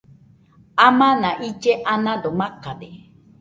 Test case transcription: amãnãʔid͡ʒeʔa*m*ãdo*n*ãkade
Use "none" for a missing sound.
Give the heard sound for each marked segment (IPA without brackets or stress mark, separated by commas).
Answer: n, m